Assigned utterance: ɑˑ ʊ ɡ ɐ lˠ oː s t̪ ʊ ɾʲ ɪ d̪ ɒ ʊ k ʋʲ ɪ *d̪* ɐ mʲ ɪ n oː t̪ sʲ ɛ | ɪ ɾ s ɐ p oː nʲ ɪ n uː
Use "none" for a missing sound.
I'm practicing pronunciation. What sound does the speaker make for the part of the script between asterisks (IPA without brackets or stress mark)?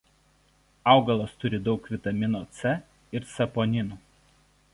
t̪